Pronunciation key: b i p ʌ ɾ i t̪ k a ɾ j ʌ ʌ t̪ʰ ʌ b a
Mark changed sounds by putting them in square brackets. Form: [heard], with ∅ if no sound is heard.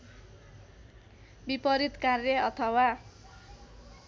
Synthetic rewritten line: b i p ʌ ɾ i t̪ k a [r] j ʌ ʌ t̪ʰ ʌ [w] a